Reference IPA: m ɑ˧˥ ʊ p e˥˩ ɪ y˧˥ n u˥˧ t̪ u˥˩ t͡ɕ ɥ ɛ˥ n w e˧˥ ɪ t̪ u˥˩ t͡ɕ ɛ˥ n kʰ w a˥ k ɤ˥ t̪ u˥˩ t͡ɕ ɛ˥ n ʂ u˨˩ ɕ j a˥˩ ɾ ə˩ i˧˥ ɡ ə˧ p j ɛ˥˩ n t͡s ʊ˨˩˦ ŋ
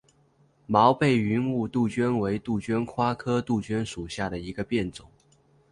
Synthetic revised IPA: m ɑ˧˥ ʊ p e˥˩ ɪ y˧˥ n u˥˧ t̪ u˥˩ t͡ɕ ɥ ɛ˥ n w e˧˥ ɪ t̪ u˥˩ t͡ɕ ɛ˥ n kʰ w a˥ kʰ ɤ˥ t̪ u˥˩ t͡ɕ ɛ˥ n ʂ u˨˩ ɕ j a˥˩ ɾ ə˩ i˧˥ ɡ ə˧ p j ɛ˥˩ n t͡s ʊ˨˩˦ ŋ